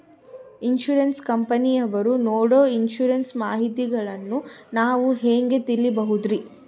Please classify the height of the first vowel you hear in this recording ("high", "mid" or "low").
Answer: high